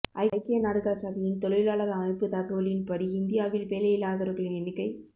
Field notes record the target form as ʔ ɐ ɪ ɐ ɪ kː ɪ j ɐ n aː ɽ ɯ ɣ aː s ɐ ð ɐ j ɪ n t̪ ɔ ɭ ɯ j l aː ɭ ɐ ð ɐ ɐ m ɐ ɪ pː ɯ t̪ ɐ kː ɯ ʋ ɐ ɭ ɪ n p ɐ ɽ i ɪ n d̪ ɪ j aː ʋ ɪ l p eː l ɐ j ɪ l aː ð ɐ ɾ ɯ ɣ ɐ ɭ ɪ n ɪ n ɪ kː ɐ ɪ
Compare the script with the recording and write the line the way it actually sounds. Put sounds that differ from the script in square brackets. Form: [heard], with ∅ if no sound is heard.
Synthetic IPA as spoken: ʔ ɐ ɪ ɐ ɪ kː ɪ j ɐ n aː ɽ ɯ ɣ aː s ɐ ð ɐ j ɪ n t̪ ɔ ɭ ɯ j l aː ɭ ɐ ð ɐ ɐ m ɐ ɪ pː ɯ t̪ ɐ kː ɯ ʋ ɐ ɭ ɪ n p ɐ ɽ i ɪ n d̪ ɪ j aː ʋ ɪ l p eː l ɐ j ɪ l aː ð ɐ ɾ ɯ ɣ ɐ ɭ ɪ n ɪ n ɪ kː ɐ ɪ